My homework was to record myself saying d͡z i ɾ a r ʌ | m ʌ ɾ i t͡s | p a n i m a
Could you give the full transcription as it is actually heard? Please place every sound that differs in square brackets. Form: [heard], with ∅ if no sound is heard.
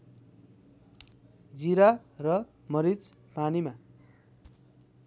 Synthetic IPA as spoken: d͡z i ɾ a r ʌ | m ʌ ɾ i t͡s | p a n i m a